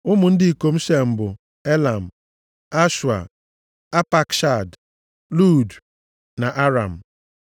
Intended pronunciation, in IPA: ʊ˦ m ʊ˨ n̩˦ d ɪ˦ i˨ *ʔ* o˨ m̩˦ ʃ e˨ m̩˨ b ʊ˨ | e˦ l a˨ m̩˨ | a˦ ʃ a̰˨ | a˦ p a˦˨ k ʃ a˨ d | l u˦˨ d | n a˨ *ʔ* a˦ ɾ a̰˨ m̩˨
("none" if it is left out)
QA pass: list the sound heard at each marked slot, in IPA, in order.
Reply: k, ʔ

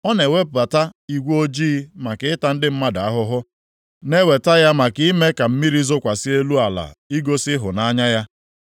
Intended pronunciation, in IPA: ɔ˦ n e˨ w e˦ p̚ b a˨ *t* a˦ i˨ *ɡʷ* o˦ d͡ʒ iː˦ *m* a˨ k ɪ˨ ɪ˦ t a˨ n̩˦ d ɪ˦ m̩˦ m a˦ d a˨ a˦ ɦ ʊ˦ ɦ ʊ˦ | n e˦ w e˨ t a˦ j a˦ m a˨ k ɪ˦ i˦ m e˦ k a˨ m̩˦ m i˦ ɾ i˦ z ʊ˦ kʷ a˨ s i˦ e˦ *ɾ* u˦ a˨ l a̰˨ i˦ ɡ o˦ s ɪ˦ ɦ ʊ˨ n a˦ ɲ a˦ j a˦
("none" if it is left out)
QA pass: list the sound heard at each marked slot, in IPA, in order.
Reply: t, ɡʷ, m, l

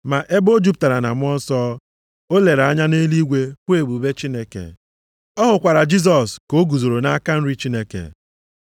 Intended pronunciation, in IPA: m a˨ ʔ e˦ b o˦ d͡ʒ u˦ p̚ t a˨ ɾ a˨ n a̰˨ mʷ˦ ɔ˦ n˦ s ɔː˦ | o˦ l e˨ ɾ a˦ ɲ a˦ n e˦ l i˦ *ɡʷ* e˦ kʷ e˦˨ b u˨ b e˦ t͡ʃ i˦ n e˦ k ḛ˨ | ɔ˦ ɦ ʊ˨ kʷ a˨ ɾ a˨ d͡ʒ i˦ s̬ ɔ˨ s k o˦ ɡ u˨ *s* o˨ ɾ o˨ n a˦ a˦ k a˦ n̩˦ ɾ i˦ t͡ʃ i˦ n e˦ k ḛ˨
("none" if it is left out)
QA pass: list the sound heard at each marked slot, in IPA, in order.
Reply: ɡʷ, z

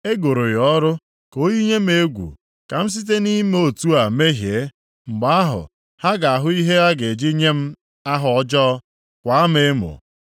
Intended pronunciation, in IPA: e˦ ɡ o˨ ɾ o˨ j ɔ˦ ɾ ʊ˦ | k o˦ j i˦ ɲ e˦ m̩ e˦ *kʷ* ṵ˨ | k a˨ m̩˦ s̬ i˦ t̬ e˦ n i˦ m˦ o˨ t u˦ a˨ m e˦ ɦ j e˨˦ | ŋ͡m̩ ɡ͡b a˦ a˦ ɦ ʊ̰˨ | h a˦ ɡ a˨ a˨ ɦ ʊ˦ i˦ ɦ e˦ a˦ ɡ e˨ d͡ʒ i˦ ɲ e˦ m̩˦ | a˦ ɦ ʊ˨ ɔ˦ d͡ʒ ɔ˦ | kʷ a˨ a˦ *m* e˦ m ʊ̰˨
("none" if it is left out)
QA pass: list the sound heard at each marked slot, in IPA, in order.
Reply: ɡʷ, m

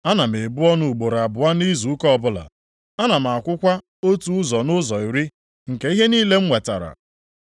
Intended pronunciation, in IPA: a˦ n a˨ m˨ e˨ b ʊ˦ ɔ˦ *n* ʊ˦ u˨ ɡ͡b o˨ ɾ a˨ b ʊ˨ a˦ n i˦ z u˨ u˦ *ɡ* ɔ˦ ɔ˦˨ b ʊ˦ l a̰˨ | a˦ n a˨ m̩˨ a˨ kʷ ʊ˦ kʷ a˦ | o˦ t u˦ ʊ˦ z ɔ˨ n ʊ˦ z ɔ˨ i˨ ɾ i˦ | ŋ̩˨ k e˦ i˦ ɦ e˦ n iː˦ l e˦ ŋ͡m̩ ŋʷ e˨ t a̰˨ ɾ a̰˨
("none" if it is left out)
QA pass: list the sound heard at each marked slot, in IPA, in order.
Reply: n, k

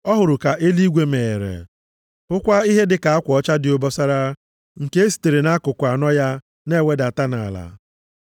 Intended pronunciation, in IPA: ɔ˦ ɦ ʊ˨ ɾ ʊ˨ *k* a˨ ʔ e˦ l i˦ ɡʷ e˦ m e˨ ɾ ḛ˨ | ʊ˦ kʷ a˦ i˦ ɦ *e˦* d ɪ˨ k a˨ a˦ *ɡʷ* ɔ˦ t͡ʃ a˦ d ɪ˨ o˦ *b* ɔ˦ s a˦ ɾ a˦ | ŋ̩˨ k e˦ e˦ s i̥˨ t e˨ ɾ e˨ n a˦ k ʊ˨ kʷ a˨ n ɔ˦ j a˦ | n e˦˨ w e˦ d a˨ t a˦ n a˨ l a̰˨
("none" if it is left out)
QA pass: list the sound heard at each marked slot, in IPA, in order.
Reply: k, e˦, kʷ, b

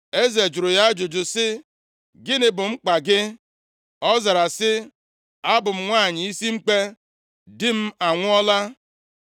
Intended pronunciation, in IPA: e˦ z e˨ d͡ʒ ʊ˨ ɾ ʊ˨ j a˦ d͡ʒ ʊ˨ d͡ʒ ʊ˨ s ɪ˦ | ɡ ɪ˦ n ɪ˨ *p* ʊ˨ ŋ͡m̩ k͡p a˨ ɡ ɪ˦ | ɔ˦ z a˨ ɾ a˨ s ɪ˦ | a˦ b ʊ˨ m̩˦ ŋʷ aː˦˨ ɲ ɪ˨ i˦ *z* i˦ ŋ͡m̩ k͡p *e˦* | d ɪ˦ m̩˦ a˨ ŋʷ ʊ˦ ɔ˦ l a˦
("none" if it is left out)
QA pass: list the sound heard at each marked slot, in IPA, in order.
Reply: b, s, e˦

